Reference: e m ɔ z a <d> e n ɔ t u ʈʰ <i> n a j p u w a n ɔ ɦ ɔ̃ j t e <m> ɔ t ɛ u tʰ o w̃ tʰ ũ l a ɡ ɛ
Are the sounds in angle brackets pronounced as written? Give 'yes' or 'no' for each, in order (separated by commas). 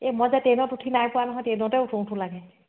no, yes, no